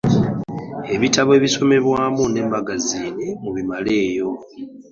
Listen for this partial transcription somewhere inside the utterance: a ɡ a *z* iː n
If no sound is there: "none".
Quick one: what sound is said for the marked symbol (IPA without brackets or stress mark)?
z